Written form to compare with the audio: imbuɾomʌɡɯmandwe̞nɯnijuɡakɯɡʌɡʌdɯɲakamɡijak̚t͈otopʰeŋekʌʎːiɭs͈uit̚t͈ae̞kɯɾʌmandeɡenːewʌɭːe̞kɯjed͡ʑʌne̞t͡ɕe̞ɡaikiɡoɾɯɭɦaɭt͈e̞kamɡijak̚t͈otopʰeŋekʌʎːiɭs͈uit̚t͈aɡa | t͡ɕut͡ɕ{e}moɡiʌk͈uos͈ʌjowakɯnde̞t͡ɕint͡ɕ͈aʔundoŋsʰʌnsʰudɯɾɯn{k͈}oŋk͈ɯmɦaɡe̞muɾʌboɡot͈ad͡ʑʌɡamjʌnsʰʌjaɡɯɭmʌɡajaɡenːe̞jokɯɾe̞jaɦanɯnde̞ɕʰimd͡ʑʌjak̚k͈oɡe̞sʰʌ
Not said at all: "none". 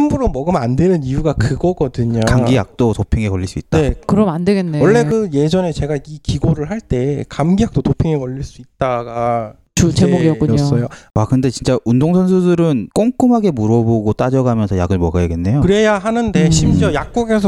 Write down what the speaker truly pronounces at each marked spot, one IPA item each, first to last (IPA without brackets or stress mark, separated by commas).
e, k͈